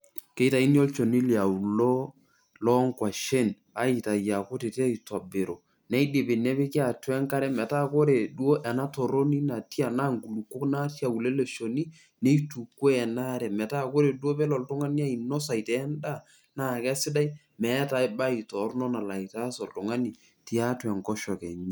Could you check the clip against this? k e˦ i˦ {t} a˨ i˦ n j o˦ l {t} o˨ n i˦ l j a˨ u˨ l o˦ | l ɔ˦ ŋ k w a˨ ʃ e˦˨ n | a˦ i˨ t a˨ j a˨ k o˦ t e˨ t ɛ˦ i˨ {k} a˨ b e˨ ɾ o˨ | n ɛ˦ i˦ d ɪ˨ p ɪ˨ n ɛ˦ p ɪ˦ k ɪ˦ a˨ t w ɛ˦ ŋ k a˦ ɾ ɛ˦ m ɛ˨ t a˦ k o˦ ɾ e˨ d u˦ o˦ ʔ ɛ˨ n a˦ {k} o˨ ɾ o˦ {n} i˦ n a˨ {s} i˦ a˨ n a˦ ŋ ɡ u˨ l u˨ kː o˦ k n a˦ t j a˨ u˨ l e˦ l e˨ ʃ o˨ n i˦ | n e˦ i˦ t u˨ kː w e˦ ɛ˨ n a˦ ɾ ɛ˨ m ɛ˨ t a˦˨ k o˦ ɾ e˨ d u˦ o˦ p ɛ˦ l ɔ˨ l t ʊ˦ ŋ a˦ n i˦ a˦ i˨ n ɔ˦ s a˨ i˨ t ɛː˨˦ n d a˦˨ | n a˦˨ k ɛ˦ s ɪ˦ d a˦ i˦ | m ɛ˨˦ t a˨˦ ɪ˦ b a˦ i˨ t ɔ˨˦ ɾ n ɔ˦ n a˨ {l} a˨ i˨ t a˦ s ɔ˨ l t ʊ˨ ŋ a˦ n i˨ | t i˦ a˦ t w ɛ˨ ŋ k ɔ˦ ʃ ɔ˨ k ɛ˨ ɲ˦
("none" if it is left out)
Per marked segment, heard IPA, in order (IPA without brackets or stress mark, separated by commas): t, t͡ʃ, t, t, n, t, l